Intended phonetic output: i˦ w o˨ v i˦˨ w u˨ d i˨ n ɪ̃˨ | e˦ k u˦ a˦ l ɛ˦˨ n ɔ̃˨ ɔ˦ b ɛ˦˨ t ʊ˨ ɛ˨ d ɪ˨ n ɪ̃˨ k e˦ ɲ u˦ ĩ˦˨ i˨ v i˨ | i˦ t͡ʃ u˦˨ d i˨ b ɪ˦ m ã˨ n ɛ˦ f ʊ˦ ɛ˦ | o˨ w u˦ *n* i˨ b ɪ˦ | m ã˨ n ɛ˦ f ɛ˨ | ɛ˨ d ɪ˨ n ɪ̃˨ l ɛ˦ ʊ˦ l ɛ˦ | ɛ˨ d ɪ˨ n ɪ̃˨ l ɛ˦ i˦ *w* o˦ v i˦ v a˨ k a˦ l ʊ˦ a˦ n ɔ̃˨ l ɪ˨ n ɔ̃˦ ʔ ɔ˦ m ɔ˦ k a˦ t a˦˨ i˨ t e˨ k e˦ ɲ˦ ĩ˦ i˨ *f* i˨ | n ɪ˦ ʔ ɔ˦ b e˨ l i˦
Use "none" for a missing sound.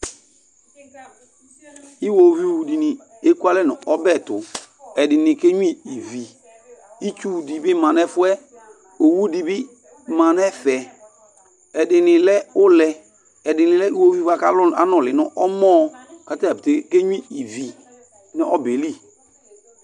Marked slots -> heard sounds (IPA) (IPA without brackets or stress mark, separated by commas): d, w, v